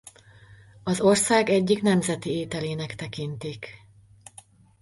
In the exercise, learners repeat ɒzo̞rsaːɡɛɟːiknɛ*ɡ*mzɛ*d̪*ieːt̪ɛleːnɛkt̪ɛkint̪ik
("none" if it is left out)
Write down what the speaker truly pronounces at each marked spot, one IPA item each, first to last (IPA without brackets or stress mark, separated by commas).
none, t̪